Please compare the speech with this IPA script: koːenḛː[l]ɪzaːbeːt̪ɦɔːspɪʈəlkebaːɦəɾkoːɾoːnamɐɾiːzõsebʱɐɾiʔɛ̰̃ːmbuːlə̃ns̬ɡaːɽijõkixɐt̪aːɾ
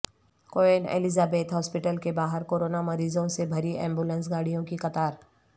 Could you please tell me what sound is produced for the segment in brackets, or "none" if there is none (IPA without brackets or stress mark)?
l